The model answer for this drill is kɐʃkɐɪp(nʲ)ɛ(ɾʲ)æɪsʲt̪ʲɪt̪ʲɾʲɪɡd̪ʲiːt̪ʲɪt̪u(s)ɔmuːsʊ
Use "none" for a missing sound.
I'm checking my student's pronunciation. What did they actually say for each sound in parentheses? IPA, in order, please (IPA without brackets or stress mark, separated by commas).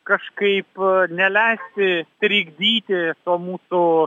nʲ, lʲ, none